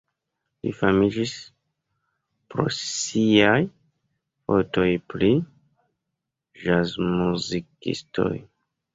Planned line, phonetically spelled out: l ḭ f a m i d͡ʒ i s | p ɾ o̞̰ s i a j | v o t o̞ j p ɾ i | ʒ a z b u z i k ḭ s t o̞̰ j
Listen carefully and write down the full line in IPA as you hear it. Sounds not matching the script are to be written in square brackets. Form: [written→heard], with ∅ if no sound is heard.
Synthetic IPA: l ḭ f a m i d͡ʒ i s | p ɾ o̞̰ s i a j | [v→f] o t o̞ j p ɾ i | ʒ a z [b→m] u z i k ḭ s t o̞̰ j